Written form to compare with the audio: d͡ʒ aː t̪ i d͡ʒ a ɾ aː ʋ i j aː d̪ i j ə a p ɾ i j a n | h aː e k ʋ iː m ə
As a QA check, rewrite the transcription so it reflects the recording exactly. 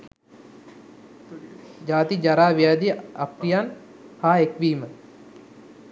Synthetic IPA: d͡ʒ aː t̪ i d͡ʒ a ɾ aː ʋ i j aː d̪ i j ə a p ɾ i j a n | h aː e k ʋ iː m ə